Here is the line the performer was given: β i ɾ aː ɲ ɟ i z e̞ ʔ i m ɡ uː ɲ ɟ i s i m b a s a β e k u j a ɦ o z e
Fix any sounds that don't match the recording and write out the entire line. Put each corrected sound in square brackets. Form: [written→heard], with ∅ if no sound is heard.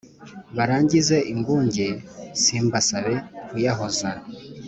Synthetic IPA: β [i→a] ɾ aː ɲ ɟ i z e̞ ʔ i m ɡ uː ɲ ɟ [i→e] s i m b a s a β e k u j a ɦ o z [e→a]